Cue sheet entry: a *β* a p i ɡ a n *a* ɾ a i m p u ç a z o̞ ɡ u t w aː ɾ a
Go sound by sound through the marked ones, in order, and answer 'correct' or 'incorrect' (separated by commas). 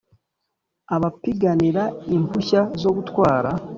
correct, incorrect